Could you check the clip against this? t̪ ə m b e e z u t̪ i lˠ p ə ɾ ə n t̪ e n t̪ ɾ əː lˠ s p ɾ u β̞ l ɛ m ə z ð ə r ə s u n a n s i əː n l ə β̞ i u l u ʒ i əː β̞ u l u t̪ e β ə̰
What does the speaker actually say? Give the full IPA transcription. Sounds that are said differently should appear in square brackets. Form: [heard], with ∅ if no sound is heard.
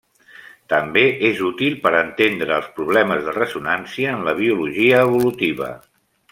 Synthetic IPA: t̪ ə m b e e z u t̪ i lˠ p ə ɾ ə n t̪ e n [d̪] ɾ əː lˠ s p ɾ u β̞ l ɛ m ə z ð ə r ə s u n a n s i əː n l ə β̞ i u l u ʒ i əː β̞ u l u t̪ [i] β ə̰